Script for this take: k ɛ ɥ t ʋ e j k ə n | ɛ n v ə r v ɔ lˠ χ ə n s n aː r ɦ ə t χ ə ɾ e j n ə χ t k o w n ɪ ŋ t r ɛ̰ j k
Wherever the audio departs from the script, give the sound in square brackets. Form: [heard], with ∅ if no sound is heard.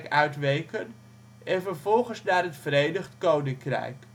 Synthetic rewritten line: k [œ] ɥ t ʋ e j k ə n | ɛ n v ə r v ɔ lˠ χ ə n s n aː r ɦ ə t [f] ə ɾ e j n ə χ t k o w n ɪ ŋ [k] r ɛ̰ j k